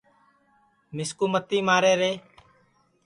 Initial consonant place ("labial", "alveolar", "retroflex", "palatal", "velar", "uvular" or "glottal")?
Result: labial